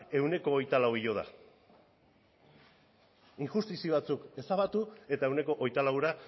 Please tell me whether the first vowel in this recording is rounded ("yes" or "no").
no